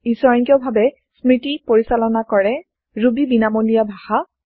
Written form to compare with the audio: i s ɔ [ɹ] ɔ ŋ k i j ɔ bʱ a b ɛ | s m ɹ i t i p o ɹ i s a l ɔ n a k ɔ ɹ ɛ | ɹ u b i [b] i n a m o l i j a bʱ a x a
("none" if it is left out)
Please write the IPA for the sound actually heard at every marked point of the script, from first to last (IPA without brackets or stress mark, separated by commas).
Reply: ɹ, b